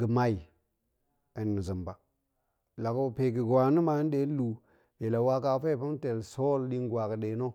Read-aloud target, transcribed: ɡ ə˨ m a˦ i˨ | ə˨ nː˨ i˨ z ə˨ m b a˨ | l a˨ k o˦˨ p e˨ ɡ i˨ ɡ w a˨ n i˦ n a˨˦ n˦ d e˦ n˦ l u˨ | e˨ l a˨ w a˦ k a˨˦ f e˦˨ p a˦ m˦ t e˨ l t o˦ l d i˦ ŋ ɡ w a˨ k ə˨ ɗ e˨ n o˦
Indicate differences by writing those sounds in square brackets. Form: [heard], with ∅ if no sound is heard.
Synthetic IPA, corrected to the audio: ɡ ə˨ m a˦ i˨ | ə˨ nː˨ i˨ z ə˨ m b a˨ | l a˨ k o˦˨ p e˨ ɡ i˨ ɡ w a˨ n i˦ [m] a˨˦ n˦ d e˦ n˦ l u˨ | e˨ l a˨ w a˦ k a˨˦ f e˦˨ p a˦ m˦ t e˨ l [s] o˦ l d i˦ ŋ ɡ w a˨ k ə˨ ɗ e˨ n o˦